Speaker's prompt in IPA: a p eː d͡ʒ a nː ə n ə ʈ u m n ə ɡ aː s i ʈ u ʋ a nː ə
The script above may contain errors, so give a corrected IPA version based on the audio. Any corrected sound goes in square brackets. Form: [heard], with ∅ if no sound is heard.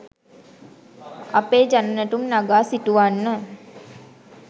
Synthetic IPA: a p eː d͡ʒ a [n] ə n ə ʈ u m n [a] ɡ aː s i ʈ u ʋ a nː ə